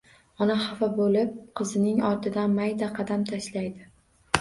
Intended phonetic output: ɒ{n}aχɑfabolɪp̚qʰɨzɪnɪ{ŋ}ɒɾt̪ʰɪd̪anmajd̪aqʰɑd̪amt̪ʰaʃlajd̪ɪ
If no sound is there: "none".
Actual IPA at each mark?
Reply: n, ŋ

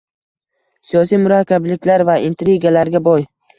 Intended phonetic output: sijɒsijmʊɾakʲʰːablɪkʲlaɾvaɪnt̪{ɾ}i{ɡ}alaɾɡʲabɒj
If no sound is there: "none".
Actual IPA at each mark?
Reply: ɾ, ɡ

